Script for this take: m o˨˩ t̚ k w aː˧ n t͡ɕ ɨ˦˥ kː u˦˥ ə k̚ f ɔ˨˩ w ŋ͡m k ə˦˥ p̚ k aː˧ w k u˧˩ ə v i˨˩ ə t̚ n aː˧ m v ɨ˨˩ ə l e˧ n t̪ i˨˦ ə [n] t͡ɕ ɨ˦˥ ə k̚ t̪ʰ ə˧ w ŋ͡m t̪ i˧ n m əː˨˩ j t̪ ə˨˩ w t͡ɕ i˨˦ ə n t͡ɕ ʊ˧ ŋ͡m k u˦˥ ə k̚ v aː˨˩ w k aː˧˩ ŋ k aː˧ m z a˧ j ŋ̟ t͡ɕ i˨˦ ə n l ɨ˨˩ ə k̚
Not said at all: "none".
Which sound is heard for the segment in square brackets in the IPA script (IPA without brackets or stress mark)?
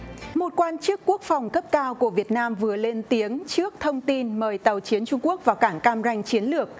ŋ